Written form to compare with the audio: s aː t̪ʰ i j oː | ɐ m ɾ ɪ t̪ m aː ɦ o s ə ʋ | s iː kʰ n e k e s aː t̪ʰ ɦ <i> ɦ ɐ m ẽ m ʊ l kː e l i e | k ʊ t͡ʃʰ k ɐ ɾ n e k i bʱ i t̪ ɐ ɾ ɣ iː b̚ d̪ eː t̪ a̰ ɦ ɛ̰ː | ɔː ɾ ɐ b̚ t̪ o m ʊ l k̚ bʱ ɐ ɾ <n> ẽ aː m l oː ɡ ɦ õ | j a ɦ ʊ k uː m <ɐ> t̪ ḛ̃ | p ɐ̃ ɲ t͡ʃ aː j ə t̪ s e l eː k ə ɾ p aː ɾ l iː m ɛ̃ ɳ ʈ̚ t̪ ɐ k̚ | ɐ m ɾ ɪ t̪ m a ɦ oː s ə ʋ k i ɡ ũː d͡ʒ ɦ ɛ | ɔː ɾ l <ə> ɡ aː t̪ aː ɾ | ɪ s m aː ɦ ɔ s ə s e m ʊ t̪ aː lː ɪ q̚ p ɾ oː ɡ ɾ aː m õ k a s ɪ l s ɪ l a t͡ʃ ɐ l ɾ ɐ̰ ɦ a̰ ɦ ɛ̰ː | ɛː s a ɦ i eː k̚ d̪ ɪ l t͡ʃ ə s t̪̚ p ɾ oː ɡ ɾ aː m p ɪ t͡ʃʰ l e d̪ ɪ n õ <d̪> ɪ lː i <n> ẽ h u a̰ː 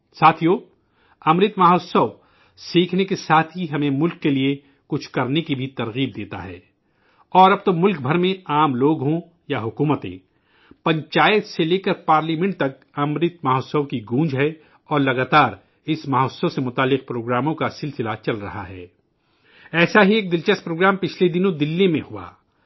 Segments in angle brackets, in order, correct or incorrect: correct, incorrect, incorrect, incorrect, correct, incorrect

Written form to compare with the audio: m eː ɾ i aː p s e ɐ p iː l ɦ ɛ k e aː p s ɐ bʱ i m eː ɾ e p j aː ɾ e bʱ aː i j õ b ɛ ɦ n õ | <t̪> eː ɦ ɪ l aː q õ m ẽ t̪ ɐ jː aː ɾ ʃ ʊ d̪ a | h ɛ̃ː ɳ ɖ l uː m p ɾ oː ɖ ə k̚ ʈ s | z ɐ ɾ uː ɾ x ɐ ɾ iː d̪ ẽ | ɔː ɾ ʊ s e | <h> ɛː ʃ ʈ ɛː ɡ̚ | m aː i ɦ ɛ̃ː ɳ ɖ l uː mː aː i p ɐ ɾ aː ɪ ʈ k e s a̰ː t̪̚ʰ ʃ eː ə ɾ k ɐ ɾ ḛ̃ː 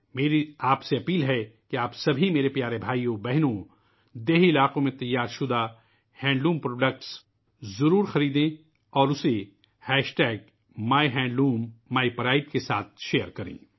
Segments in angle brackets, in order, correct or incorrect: incorrect, correct

